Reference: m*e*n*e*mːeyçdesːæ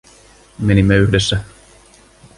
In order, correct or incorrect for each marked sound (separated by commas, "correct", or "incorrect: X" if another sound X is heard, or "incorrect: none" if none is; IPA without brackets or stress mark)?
correct, incorrect: i